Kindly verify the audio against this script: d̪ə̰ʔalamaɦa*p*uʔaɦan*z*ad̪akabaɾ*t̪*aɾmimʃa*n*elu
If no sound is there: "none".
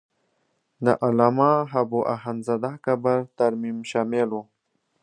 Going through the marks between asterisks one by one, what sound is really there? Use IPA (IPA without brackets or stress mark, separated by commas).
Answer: b, z, t̪, m